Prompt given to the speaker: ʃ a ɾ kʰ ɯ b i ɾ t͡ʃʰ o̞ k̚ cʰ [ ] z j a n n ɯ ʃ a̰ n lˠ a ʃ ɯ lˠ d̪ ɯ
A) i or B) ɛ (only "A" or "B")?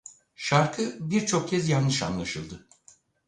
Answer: B